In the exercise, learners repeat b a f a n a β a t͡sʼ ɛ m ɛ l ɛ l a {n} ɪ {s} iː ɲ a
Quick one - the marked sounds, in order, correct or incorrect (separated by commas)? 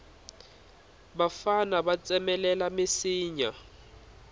incorrect, correct